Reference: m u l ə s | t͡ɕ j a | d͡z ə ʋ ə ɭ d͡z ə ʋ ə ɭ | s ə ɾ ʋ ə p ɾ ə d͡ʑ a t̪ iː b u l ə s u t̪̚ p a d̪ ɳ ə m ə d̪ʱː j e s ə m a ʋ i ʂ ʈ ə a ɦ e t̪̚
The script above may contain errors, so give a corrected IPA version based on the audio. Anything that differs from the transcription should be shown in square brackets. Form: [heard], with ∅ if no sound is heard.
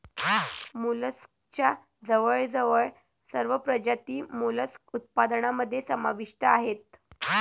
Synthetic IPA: m u l ə s | t͡ɕ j a | d͡z ə ʋ ə ɭ d͡z ə ʋ ə ɭ | s ə ɾ ʋ ə p ɾ ə d͡ʑ a t̪ iː [m] u l ə s u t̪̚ p a d̪ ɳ [a] m ə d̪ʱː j e s ə m a ʋ i ʂ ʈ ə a ɦ e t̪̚